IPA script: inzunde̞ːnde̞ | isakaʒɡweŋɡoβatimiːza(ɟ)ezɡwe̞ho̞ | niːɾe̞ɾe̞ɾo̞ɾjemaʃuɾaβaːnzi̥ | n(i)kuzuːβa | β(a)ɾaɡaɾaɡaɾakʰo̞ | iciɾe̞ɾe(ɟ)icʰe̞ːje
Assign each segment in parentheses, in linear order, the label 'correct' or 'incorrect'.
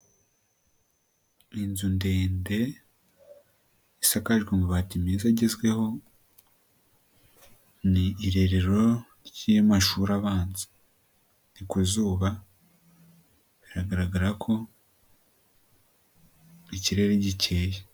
correct, correct, incorrect: i, correct

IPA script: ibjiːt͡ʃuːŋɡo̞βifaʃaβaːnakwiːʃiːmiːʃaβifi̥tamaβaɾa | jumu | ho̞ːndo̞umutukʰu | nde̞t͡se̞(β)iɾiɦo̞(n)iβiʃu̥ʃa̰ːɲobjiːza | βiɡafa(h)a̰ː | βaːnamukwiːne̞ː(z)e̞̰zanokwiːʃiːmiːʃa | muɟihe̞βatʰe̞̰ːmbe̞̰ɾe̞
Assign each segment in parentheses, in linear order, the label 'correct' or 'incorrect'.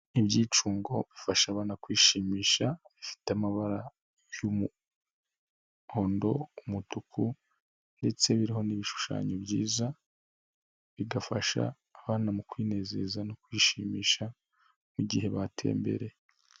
correct, correct, incorrect: ʃ, correct

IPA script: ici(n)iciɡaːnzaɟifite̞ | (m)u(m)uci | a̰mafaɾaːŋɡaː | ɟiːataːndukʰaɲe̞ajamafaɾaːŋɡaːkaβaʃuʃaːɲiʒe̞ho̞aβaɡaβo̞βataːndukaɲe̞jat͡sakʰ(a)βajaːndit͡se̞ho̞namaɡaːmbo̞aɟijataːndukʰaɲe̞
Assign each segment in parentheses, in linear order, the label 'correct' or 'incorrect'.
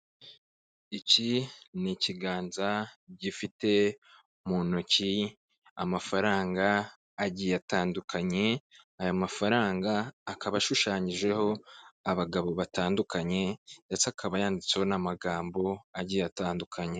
correct, correct, incorrect: n, correct

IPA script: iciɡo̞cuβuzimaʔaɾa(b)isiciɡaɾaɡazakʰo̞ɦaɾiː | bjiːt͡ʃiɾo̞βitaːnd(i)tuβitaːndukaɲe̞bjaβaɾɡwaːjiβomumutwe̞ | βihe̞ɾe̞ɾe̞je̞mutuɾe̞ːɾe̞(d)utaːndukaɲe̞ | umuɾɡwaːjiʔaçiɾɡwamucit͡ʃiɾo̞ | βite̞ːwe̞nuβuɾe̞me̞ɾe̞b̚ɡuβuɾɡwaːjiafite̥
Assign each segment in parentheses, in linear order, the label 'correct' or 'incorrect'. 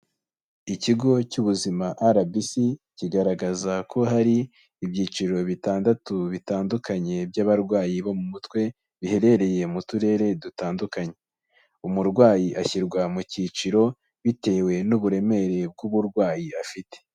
correct, incorrect: a, correct

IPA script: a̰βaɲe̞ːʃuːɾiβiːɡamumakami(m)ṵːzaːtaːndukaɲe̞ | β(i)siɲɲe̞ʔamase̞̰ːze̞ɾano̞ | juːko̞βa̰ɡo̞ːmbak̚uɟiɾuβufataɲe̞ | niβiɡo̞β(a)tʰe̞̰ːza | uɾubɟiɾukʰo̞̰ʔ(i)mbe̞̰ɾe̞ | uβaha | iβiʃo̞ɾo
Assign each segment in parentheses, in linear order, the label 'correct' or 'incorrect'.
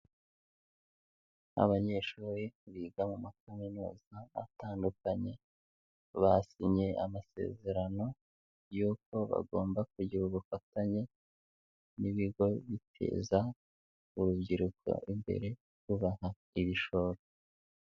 incorrect: n, incorrect: a, incorrect: i, correct

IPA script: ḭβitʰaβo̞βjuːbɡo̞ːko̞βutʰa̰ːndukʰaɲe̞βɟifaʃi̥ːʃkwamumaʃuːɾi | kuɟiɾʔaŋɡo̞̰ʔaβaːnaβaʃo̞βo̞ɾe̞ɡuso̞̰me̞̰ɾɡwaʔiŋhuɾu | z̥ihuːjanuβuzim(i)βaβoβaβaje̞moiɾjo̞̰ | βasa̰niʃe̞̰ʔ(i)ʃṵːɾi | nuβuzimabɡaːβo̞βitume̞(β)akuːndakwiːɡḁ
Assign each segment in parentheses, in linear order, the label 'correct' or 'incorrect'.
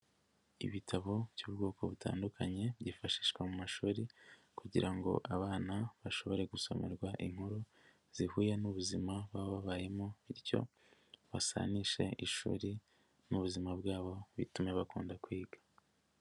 incorrect: a, correct, correct

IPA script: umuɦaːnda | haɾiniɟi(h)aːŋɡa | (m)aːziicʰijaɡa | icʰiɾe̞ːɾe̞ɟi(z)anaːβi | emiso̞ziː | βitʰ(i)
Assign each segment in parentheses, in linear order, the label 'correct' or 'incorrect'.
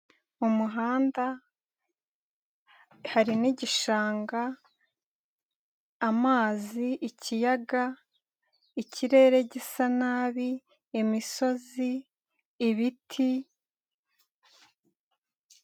incorrect: ʃ, correct, incorrect: s, correct

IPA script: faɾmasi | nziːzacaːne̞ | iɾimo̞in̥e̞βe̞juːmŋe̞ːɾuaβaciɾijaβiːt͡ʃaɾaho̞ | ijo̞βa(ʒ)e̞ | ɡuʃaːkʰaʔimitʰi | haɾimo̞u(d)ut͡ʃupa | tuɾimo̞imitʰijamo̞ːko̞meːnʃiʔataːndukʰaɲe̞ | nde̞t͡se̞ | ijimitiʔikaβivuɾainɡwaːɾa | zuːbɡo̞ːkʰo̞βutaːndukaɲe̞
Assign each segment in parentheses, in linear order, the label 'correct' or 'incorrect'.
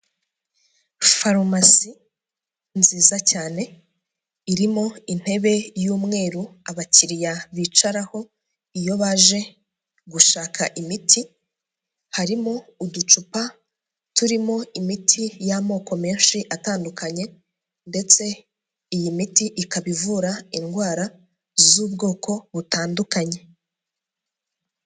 correct, correct

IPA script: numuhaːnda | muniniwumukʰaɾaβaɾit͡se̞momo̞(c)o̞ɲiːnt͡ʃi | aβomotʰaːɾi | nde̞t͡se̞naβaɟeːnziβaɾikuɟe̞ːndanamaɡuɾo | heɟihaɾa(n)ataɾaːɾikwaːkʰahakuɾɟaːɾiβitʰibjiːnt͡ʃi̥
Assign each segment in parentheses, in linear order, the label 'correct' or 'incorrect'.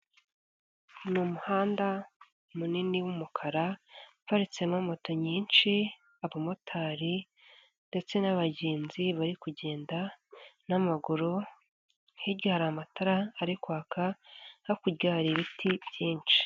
incorrect: t, incorrect: m

